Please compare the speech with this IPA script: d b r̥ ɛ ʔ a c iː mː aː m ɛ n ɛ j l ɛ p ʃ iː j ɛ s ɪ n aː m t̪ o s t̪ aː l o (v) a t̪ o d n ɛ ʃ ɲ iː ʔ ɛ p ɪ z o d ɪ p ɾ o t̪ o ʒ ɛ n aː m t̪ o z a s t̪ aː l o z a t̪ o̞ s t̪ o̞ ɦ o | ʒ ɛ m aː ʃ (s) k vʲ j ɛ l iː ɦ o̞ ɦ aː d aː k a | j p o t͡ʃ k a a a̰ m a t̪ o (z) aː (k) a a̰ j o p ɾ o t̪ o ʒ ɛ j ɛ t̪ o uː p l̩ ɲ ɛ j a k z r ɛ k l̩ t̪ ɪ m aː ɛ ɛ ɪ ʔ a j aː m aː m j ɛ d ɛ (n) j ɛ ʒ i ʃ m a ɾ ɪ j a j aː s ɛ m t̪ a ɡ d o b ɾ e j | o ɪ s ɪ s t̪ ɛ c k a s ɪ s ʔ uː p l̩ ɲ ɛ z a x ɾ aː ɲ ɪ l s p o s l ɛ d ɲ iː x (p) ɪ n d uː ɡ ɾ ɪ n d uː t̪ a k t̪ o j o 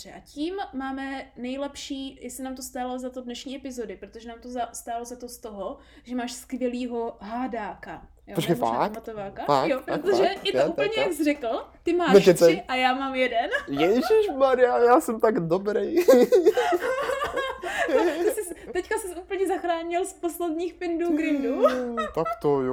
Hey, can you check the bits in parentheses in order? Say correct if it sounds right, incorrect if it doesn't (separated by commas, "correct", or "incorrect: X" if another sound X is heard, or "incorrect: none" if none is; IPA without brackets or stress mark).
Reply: incorrect: z, correct, incorrect: v, correct, correct, correct